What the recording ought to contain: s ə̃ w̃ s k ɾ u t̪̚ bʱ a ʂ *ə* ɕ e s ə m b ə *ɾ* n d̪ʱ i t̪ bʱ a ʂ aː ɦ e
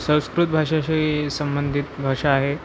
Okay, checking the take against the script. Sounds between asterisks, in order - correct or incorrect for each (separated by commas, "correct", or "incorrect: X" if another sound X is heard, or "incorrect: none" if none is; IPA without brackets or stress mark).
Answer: incorrect: a, incorrect: none